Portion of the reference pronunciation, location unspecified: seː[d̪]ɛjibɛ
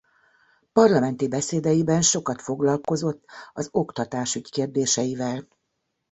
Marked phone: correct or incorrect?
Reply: correct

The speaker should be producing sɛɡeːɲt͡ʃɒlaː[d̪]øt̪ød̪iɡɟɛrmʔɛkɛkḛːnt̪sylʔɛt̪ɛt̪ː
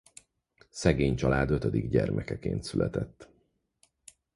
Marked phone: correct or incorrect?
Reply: correct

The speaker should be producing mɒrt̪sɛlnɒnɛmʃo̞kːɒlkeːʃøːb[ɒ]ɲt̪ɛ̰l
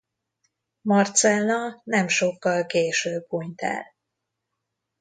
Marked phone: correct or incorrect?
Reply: incorrect: u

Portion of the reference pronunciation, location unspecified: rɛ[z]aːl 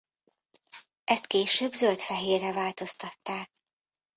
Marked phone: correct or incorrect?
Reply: incorrect: v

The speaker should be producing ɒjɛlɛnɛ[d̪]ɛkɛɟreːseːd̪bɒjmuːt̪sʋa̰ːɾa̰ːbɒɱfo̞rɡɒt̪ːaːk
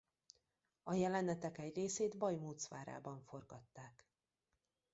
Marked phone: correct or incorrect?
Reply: incorrect: t̪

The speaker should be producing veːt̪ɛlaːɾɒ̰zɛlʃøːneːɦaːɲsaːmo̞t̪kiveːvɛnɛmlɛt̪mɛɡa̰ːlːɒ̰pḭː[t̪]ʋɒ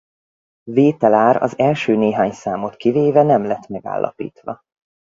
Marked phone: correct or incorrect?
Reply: correct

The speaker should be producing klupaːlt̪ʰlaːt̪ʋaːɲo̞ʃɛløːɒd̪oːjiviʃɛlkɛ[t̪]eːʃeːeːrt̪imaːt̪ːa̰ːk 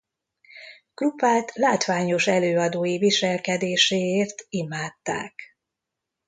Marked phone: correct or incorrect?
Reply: incorrect: d̪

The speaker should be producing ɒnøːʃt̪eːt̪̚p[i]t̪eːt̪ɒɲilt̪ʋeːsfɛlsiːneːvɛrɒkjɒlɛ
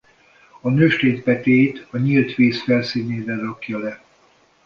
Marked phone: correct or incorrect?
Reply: incorrect: ɛ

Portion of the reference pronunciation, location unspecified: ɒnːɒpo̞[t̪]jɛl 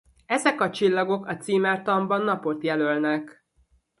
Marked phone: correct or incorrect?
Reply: correct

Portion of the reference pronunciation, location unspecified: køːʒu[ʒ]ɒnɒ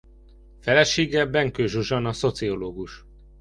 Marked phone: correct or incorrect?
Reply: correct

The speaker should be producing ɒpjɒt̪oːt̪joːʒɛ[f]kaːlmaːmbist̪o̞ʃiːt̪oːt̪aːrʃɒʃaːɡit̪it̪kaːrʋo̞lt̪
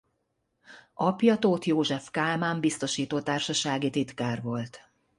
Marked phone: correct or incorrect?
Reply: correct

